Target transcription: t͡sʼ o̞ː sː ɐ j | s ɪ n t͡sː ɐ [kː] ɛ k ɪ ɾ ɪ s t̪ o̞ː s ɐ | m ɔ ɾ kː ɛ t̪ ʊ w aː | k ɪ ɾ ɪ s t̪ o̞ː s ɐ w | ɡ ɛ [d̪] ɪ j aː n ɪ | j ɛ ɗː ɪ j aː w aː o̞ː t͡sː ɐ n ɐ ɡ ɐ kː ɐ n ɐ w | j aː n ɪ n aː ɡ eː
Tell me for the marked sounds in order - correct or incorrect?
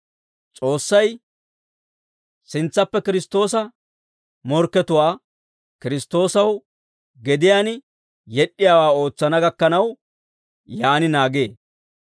incorrect, correct

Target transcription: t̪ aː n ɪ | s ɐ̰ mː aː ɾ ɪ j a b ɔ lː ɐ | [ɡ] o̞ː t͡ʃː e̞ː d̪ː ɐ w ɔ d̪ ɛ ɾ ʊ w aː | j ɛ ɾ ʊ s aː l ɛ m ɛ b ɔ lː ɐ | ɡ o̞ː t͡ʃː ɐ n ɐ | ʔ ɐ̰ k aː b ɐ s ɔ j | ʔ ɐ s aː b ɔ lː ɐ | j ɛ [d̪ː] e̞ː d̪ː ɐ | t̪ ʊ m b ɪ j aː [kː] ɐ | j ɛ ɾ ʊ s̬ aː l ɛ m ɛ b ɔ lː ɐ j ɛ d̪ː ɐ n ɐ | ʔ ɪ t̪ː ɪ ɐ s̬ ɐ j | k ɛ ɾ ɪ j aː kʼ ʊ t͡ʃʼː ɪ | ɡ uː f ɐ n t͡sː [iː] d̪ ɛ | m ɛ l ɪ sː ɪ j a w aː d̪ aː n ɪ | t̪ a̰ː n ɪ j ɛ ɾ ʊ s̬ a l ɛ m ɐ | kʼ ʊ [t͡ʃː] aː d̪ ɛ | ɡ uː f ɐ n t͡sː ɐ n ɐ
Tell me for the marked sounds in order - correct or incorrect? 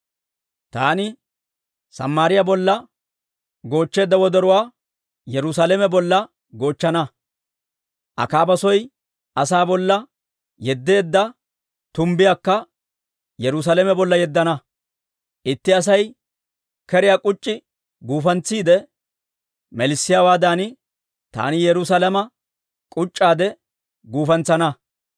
correct, correct, correct, correct, incorrect

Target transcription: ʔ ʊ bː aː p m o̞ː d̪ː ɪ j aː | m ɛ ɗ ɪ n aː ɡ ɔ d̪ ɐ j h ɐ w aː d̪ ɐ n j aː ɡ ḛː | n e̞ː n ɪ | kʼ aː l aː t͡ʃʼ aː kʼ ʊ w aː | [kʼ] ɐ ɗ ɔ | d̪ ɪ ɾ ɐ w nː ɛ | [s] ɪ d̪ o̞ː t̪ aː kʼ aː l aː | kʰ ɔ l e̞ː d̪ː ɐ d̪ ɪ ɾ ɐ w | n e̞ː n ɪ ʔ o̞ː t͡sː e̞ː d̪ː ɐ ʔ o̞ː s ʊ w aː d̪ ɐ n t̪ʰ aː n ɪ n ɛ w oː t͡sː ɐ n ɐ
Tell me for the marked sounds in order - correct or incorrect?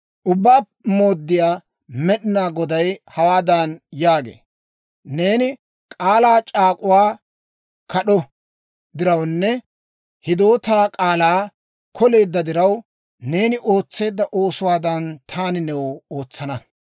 incorrect, incorrect

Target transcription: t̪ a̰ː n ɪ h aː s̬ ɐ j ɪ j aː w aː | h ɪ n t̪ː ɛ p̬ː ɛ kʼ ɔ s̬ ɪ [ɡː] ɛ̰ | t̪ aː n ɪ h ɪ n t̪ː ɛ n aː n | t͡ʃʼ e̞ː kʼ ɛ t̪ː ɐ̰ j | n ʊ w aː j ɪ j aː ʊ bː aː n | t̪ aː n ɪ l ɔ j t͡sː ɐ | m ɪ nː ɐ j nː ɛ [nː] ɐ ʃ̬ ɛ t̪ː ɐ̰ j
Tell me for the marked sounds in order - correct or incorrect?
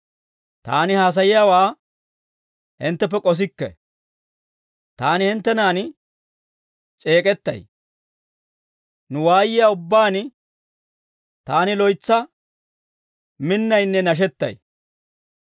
incorrect, incorrect

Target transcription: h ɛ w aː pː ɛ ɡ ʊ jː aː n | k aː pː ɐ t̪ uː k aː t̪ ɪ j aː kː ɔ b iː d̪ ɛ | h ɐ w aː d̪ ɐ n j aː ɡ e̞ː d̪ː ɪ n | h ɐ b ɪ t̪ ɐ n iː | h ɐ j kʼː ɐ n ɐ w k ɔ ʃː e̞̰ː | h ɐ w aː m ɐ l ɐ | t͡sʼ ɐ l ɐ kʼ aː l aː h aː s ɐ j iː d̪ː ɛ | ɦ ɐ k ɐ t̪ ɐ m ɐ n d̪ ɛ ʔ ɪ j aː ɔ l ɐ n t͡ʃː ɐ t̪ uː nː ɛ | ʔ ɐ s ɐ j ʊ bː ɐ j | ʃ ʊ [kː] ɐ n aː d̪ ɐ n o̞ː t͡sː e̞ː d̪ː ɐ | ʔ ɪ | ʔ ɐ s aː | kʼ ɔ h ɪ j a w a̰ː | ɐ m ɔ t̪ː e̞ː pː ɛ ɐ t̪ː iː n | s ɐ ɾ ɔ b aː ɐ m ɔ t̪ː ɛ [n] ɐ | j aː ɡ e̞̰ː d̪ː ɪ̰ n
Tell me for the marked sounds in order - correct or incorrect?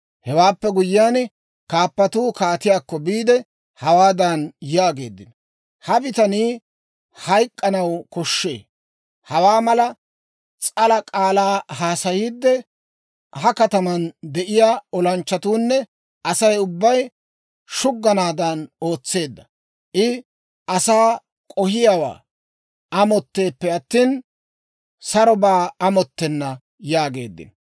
incorrect, incorrect

